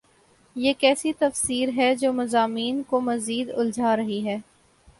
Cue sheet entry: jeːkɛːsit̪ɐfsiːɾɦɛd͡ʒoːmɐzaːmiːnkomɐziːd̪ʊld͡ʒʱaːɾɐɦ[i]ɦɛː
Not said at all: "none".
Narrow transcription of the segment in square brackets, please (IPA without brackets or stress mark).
i